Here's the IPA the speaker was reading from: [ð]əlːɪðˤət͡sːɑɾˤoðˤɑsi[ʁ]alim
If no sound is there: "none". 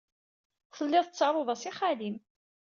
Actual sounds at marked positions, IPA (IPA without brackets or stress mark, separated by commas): θ, χ